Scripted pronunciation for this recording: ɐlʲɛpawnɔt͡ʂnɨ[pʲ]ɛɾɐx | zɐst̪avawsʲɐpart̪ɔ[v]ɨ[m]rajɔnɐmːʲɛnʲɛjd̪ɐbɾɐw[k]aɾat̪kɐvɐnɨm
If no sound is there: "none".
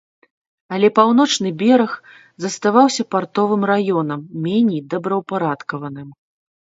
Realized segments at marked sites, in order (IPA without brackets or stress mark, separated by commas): bʲ, v, m, p